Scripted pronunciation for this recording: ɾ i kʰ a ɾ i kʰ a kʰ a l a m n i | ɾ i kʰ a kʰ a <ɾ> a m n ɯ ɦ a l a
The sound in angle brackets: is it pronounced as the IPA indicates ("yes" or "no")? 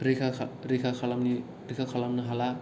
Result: no